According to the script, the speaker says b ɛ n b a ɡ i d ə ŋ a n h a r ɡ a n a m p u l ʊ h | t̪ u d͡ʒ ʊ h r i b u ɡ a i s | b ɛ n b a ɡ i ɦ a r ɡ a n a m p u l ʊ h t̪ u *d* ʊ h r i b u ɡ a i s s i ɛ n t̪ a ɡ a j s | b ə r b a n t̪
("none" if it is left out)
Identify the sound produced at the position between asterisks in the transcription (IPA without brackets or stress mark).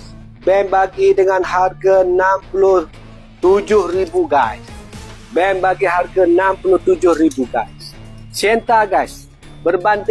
d͡ʒ